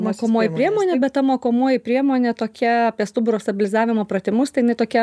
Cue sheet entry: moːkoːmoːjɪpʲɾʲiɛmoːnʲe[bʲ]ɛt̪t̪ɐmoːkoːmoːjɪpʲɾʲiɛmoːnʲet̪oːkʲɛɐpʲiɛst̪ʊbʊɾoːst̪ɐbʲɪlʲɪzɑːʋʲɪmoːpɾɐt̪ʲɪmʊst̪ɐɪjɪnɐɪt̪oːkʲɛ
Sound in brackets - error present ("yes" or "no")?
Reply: no